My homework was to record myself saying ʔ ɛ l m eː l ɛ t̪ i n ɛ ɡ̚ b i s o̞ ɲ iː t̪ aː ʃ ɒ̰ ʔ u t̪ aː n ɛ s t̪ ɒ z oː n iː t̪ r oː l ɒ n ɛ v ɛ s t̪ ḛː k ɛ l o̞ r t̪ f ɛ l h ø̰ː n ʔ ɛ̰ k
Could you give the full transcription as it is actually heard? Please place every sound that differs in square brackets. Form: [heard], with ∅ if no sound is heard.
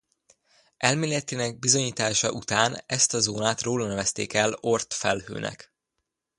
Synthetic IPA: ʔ ɛ l m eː l ɛ t̪ i n ɛ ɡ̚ b i [z] o̞ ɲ iː t̪ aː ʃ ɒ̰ ʔ u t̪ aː n ɛ s t̪ ɒ z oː n [aː] t̪ r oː l ɒ n ɛ v ɛ s t̪ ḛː k ɛ l o̞ r t̪ f ɛ l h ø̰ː n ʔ ɛ̰ k